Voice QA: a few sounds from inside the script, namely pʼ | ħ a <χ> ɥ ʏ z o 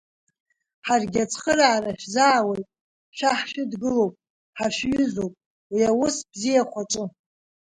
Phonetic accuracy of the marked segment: incorrect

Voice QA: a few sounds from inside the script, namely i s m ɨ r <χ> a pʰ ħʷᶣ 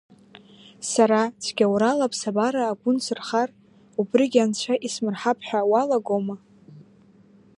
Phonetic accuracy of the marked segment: incorrect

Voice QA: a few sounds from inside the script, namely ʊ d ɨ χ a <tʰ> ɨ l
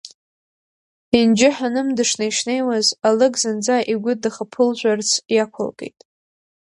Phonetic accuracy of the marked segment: incorrect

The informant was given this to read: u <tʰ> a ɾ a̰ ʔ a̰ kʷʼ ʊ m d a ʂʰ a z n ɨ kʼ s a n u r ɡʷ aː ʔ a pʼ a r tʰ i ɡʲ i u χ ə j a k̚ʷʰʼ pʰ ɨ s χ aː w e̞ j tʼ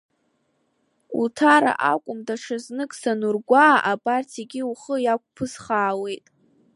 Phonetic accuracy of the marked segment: correct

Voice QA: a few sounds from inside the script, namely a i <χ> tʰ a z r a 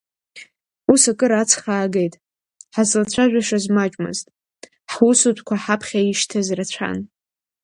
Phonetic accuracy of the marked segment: incorrect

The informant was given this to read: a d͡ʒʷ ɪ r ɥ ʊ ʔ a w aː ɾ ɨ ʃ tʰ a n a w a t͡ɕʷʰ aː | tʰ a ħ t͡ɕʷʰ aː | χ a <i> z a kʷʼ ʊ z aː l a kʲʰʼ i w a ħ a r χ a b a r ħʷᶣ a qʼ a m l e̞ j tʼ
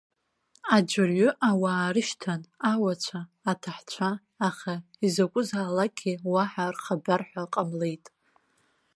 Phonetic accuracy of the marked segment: correct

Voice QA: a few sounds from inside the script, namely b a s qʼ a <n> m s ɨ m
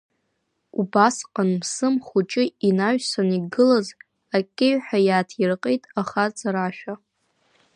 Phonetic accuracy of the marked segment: correct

